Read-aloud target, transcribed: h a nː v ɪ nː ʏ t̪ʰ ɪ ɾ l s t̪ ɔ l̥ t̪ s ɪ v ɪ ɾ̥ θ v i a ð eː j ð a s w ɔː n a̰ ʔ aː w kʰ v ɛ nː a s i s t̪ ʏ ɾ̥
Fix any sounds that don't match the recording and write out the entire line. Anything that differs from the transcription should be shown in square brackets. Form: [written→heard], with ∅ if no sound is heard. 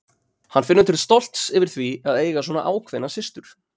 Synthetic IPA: h a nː [v→f] ɪ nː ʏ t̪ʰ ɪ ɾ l s t̪ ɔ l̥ t̪ s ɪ v ɪ ɾ̥ θ v i a ð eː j [ð→ɣ] a s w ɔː n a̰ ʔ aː w kʰ v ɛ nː a s [i→ɪ] s t̪ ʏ ɾ̥